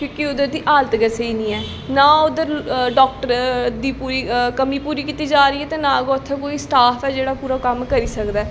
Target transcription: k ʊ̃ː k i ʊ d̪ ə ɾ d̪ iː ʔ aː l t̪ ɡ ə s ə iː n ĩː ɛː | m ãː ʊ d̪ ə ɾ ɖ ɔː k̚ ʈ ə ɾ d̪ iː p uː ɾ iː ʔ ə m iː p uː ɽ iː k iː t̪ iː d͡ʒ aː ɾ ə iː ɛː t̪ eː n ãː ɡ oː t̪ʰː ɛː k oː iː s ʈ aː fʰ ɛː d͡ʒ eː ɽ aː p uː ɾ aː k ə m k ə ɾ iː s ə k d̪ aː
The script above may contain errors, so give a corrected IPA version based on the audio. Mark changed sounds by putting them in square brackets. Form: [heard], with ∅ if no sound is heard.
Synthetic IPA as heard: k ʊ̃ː k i ʊ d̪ ə ɾ d̪ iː ʔ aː l t̪ ɡ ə s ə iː n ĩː ɛː | [n] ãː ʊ d̪ ə ɾ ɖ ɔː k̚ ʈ ə ɾ d̪ iː p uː ɾ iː [k] ə m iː p uː [ɾ] iː k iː t̪ iː d͡ʒ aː ɾ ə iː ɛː t̪ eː n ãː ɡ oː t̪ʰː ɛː k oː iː s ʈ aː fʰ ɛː d͡ʒ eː ɽ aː p uː ɾ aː k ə m k ə ɾ iː s ə k d̪ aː

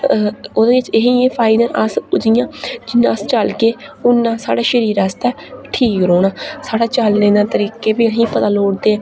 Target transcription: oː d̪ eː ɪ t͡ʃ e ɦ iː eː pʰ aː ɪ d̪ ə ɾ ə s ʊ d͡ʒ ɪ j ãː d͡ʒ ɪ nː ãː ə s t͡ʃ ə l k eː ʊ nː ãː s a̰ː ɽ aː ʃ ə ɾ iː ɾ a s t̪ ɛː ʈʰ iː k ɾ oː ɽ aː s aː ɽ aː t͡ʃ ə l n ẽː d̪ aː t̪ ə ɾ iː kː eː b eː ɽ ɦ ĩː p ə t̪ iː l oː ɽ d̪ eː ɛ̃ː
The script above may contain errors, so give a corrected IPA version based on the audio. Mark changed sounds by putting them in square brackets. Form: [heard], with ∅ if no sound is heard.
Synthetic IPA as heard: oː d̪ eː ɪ t͡ʃ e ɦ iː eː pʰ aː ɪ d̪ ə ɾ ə s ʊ d͡ʒ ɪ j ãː d͡ʒ ɪ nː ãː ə s t͡ʃ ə l k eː ʊ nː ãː s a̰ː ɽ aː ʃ ə ɾ iː ɾ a s t̪ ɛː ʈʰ iː k ɾ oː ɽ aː s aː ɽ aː t͡ʃ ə l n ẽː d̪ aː t̪ ə ɾ iː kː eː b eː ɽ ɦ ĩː p ə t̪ [aː] l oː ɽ d̪ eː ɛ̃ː

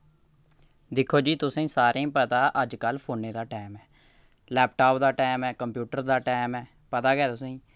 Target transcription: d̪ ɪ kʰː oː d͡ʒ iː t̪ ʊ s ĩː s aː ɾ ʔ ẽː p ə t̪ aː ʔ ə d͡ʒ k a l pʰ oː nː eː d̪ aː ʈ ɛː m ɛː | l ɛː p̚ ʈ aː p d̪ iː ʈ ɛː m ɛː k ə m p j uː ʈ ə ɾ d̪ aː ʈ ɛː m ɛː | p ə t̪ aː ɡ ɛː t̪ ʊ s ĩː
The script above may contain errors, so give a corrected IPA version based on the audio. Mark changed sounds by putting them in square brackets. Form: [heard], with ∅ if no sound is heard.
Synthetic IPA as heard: d̪ ɪ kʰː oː d͡ʒ iː t̪ ʊ s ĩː s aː ɾ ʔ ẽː p ə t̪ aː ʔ ə d͡ʒ k [ə] l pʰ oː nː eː d̪ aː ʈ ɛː m ɛː | l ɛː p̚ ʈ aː p d̪ [aː] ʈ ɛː m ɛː k ə m p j uː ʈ ə ɾ d̪ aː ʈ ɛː m ɛː | p ə t̪ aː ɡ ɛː t̪ ʊ s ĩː

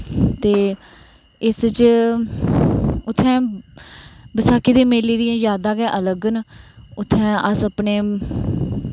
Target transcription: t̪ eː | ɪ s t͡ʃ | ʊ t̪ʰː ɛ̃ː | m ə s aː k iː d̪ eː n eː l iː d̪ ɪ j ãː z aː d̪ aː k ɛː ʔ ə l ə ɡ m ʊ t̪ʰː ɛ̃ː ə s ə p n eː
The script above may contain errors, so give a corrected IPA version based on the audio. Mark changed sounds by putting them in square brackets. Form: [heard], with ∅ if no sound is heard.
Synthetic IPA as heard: t̪ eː | ɪ s t͡ʃ | ʊ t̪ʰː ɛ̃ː | [b] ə s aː k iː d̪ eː [m] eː l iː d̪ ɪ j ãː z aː d̪ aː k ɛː ʔ ə l ə ɡ [n] ʊ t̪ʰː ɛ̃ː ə s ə p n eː

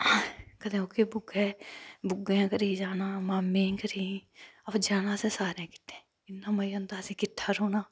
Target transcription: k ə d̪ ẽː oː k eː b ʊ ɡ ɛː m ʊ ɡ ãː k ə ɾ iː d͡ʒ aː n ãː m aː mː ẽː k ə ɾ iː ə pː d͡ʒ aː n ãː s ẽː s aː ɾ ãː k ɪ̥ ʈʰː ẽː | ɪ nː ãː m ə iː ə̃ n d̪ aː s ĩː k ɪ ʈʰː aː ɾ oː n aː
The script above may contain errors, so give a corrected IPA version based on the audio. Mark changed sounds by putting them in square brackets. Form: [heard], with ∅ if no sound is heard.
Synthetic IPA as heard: k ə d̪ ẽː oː k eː b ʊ ɡ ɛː [b] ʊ ɡ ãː k ə ɾ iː d͡ʒ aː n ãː m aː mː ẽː k ə ɾ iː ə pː d͡ʒ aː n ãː s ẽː s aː ɾ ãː k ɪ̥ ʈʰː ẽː | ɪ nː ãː m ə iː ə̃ n d̪ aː s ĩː k ɪ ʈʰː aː ɾ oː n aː

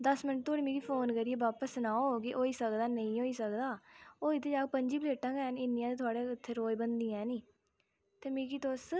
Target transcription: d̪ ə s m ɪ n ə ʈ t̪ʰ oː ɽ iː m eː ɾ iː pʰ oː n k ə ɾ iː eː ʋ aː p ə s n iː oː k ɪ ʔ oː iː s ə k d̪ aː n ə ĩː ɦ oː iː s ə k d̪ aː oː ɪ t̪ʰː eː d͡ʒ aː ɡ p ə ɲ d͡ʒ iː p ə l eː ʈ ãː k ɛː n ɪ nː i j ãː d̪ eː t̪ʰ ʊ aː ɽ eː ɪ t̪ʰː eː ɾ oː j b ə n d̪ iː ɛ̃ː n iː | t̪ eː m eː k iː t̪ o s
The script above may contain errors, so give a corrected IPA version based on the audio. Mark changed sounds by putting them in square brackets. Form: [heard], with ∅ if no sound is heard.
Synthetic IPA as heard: d̪ ə s m ɪ n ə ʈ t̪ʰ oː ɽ iː m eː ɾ iː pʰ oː n k ə ɾ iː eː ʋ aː p ə s n [aː] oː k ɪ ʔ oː iː s ə k d̪ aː n ə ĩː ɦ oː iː s ə k d̪ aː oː ɪ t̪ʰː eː d͡ʒ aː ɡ p ə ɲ d͡ʒ iː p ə l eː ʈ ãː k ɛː n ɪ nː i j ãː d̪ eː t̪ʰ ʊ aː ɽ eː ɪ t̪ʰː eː ɾ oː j b ə n d̪ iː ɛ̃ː n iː | t̪ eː m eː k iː t̪ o s

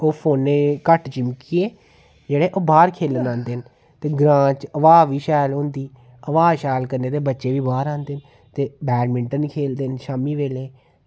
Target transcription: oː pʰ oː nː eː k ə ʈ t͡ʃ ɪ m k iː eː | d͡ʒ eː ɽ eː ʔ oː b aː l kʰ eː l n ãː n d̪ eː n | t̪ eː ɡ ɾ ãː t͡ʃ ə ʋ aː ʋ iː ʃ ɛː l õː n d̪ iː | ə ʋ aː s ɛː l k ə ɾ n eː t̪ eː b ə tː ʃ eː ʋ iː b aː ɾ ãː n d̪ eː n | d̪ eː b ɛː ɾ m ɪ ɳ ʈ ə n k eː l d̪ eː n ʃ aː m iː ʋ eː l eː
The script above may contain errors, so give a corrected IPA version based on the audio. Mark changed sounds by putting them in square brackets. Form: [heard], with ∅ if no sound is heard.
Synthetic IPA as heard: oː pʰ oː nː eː k ə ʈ t͡ʃ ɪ m k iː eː | d͡ʒ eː ɽ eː ʔ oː b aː [ɾ] kʰ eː l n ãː n d̪ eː n | t̪ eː ɡ ɾ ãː t͡ʃ ə ʋ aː ʋ iː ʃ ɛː l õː n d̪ iː | ə ʋ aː [ʃ] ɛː l k ə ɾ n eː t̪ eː b ə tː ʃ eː ʋ iː b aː ɾ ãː n d̪ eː n | [t̪] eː b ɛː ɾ m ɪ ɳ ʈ ə n [kʰ] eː l d̪ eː n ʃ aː m iː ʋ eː l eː

